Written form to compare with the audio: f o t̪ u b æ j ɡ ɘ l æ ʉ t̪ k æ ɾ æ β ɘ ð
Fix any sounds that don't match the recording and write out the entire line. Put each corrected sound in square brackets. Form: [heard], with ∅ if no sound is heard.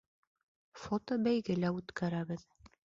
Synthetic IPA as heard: f o t̪ [o] b æ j ɡ ɘ l æ ʉ t̪ k æ ɾ æ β ɘ ð